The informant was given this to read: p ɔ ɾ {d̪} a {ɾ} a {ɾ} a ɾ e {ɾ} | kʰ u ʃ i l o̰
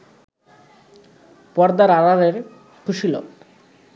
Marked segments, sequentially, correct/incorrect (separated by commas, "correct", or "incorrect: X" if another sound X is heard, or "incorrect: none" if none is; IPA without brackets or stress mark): correct, correct, correct, correct